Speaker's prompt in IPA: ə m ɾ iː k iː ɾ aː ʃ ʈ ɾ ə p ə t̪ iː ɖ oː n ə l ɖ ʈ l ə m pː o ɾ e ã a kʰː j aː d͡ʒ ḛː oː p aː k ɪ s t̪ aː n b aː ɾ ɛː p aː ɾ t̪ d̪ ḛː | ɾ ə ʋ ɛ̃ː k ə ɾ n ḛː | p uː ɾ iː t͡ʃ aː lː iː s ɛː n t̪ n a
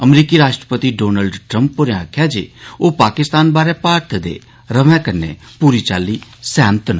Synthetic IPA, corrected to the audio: ə m ɾ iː k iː ɾ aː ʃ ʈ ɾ ə p ə t̪ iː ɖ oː n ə l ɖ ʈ ɾ ə m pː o ɾ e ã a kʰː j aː d͡ʒ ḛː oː p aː k ɪ s t̪ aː n b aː ɾ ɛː p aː ɾ t̪ d̪ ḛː | ɾ ə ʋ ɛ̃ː k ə ɾ n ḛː | p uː ɾ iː t͡ʃ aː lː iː s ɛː n t̪ n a